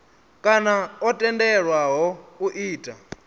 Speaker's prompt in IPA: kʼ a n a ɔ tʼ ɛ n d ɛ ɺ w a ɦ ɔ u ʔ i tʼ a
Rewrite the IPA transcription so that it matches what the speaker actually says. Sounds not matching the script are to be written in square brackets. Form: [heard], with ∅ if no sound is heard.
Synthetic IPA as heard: kʼ a n a ɔ tʼ ɛ n d ɛ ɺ w a ɦ ɔ u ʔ [iː] tʼ a